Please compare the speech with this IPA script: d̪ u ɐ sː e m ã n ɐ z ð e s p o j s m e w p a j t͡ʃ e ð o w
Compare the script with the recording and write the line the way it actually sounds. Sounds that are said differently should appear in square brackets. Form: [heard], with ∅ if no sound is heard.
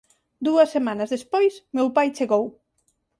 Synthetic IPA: d̪ u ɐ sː e m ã n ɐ z ð e s p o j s m e w p a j t͡ʃ e [ɣ] o w